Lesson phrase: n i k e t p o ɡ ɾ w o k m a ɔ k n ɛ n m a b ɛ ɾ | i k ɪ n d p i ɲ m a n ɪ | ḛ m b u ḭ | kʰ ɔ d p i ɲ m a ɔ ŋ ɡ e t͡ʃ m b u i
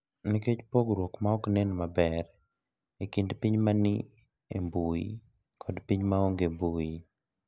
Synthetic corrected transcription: n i k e t͡ʃ p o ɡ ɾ w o k m a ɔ k n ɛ n m a b ɛ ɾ | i k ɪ n d p i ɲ m a n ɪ | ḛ m b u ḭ | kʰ ɔ d p i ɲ m a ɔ ŋ ɡ e m b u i